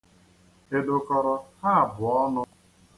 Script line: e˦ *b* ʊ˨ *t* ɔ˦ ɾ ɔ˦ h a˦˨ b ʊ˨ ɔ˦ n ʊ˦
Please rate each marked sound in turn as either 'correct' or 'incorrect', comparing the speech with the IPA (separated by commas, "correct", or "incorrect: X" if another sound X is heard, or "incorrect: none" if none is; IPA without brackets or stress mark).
incorrect: d, incorrect: k